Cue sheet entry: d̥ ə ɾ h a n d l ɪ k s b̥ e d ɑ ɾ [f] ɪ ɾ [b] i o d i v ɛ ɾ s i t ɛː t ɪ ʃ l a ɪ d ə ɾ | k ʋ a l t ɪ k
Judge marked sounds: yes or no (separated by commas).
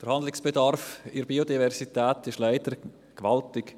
yes, yes